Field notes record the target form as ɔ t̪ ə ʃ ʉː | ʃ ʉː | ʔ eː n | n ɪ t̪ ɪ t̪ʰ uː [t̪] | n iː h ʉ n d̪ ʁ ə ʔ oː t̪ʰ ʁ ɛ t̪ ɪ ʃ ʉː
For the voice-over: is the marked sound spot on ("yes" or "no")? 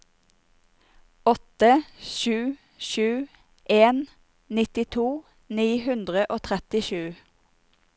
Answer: no